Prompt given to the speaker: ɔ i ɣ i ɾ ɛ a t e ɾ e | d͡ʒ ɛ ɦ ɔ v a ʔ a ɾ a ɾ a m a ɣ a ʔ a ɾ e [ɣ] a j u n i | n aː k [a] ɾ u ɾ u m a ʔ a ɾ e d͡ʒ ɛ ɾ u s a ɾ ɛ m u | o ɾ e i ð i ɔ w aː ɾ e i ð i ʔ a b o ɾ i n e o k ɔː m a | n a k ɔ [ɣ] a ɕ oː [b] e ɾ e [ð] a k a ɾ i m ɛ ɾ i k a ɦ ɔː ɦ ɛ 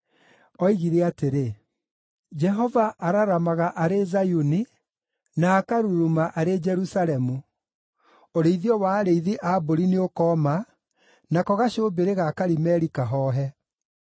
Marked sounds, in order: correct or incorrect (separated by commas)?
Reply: incorrect, correct, correct, correct, incorrect